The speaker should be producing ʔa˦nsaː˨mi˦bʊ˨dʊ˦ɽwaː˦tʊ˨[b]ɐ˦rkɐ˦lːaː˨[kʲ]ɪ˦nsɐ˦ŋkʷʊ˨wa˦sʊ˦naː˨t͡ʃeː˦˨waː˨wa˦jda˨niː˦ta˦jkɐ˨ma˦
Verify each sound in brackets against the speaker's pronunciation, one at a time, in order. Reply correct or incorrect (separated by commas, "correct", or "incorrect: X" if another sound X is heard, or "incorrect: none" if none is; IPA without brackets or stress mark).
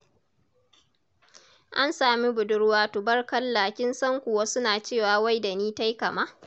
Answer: correct, correct